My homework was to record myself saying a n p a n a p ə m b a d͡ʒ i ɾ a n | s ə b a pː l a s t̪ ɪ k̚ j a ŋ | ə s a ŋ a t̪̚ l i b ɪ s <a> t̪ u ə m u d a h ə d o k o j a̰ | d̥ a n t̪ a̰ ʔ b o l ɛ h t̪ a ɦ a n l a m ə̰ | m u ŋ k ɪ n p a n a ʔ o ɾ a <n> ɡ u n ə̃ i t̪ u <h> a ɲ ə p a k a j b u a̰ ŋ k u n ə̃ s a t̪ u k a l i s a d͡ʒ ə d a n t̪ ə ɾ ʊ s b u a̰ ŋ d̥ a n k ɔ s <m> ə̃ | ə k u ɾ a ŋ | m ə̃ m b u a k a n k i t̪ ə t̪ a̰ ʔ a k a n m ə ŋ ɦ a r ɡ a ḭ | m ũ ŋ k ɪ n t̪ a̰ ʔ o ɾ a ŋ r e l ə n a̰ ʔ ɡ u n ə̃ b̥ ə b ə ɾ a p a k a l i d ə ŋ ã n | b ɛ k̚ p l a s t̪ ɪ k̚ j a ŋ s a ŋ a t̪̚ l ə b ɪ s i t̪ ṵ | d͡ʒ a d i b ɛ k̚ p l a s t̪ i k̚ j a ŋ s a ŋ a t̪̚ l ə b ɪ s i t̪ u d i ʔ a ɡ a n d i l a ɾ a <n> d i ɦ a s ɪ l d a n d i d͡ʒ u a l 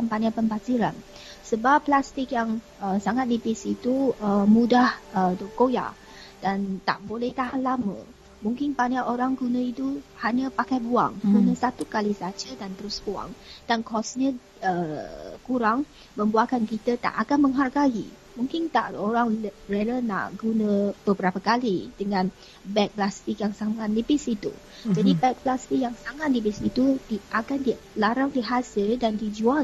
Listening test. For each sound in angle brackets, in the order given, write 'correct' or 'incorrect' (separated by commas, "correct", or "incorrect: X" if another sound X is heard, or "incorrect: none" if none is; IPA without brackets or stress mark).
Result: incorrect: i, incorrect: ŋ, correct, incorrect: ɲ, incorrect: ŋ